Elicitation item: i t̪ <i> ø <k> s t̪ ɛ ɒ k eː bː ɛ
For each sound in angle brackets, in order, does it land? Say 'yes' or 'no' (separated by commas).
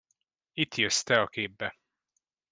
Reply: no, no